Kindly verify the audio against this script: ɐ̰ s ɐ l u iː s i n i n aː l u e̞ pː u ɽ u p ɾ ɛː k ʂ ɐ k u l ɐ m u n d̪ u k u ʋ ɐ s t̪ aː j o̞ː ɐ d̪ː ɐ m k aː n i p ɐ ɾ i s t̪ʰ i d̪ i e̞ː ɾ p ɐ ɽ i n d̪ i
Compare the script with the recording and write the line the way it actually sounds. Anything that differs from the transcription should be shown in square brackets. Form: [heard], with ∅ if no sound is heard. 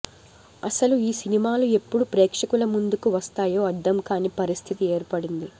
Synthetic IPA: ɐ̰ s ɐ l u iː s i n i [m] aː l u e̞ pː u ɽ u p ɾ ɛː k ʂ ɐ k u l ɐ m u n d̪ u k u ʋ ɐ s t̪ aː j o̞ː ɐ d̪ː ɐ m k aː n i p ɐ ɾ i s t̪ʰ i [t̪] i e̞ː ɾ p ɐ ɽ i n d̪ i